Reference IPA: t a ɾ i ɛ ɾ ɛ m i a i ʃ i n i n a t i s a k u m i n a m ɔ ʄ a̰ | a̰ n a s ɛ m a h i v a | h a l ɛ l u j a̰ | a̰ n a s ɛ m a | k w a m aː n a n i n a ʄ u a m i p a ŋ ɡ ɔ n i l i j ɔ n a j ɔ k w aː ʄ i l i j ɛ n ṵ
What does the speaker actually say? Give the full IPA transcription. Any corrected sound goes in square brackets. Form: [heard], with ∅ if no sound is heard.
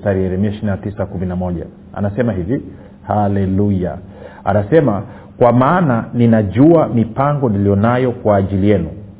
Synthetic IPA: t a ɾ i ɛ ɾ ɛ m i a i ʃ i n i n a t i s a k u m i n a m ɔ ʄ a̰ | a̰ n a s ɛ m a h i v [i] | h a l ɛ l u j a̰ | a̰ n a s ɛ m a | k w a m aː n a n i n a ʄ u a m i p a ŋ ɡ ɔ n i l i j ɔ n a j ɔ k w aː ʄ i l i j ɛ n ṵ